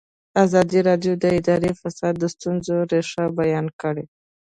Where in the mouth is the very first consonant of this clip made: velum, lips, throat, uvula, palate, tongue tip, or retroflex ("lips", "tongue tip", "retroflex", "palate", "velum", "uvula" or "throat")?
tongue tip